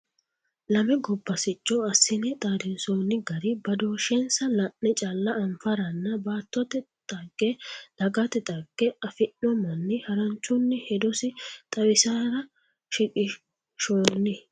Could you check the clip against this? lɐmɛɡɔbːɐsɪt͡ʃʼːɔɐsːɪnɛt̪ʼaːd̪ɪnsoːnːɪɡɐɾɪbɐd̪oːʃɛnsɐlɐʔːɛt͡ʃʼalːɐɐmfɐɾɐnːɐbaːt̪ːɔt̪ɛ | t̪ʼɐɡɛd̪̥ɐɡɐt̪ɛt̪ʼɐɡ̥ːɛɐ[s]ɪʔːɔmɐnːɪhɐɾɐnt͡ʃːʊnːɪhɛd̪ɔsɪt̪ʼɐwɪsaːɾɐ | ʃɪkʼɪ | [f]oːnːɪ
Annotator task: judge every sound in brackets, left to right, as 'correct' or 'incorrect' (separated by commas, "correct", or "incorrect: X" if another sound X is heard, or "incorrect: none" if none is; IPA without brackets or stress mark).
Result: incorrect: f, incorrect: ʃ